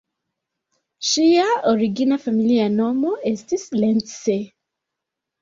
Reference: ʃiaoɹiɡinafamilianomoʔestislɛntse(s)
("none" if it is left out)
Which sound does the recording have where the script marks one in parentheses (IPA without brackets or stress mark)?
none